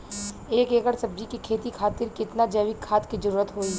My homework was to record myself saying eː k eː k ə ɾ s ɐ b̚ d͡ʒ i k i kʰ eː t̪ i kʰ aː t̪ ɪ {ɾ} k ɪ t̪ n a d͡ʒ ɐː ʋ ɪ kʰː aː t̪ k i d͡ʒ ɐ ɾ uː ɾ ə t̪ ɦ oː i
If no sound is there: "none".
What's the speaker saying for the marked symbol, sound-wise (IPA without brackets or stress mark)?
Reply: ɾ